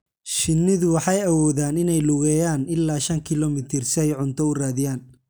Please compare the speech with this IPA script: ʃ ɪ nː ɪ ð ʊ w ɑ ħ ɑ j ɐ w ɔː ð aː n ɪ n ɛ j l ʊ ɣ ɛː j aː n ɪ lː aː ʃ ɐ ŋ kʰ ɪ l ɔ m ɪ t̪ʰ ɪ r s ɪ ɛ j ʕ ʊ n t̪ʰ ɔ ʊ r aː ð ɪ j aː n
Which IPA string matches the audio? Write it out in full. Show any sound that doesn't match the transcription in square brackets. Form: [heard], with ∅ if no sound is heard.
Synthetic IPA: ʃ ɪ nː ɪ ð ʊ w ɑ ħ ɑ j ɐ w ɔː ð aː n ɪ n ɛ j l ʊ ɣ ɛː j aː n ɪ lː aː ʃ ɐ ŋ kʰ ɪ l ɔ m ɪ t̪ʰ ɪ r s ɪ ɛ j ʕ ʊ n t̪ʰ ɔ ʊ r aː ð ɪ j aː n